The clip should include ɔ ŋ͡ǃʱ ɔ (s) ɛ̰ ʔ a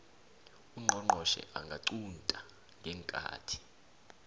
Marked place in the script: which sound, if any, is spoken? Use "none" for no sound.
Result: ʃ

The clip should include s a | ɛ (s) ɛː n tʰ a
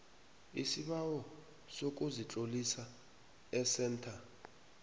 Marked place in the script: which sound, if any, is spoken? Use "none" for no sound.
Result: s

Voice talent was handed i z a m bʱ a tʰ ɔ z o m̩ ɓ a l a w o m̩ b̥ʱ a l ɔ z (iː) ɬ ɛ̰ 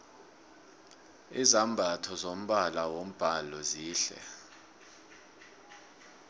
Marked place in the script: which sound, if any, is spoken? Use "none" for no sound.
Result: iː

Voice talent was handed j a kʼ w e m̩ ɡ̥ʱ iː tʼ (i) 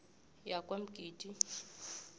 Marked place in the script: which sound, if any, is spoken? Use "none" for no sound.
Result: i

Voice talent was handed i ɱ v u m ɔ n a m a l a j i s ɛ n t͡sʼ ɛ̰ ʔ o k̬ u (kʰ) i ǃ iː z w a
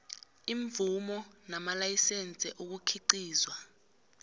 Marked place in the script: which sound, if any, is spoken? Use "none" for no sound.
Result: kʰ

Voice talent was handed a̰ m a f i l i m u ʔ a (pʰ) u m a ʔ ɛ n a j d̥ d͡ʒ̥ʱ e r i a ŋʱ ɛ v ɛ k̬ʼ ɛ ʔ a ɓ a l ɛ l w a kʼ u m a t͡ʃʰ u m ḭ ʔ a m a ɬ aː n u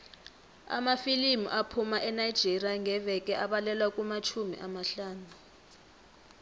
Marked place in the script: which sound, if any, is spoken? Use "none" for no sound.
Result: pʰ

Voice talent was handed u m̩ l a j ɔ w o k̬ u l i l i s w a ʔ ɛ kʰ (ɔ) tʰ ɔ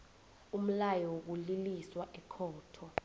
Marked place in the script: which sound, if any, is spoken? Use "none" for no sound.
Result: ɔː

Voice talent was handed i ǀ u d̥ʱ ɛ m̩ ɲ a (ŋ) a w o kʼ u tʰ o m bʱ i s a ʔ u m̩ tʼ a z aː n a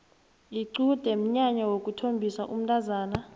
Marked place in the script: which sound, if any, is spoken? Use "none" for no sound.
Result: ɲ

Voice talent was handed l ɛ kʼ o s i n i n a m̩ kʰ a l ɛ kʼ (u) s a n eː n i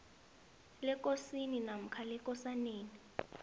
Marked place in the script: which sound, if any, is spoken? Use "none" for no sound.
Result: ɔ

